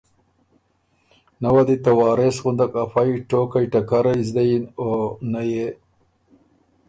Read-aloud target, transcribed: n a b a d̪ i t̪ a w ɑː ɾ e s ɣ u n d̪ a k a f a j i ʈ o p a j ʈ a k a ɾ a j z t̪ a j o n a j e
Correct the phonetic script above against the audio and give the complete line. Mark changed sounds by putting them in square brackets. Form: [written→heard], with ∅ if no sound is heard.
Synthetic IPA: n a [b→w] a d̪ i t̪ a w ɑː ɾ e s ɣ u n d̪ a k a f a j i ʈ o [p→k] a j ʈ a k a ɾ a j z [t̪→d̪] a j o n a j e